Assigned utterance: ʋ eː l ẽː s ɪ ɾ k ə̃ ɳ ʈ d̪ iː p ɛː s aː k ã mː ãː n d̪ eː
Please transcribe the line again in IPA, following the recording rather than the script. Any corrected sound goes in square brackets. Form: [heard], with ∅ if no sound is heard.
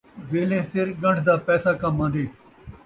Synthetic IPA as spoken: ʋ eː l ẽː s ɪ ɾ [ɡ] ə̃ ɳ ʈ d̪ [aː] p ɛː s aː k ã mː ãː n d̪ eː